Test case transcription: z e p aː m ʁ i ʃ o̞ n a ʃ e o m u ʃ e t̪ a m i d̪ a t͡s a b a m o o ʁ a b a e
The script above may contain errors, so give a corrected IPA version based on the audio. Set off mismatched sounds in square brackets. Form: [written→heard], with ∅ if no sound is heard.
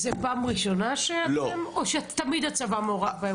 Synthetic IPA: z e p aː m ʁ i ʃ o̞ n a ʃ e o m [u→o] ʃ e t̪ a m i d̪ a t͡s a [b→v] a m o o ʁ a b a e